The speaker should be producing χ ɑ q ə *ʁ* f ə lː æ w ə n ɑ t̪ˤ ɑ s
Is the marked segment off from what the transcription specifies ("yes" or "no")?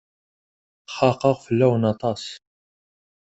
no